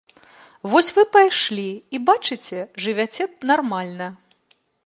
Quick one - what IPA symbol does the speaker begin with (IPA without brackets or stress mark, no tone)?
v